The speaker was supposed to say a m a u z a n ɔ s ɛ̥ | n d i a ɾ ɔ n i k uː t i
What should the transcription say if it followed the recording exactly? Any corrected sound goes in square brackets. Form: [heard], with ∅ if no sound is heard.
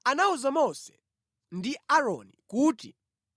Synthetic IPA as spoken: a [n] a u z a [m] ɔ s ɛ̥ | n d i a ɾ ɔ n i k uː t i